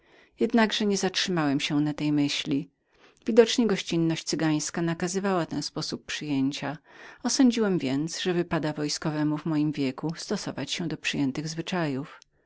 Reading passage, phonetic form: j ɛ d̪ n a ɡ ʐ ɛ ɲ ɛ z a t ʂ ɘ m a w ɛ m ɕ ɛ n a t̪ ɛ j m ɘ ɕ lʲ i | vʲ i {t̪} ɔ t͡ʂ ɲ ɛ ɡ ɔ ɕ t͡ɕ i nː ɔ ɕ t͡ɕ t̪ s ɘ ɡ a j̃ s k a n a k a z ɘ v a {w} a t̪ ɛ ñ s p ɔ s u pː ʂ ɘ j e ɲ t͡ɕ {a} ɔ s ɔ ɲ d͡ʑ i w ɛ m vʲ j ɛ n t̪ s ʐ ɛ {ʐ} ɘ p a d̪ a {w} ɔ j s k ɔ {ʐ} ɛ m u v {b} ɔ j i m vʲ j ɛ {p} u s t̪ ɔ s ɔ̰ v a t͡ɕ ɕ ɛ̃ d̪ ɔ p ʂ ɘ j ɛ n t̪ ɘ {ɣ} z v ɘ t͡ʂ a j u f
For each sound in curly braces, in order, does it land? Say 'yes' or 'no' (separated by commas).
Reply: no, yes, yes, no, no, no, no, no, yes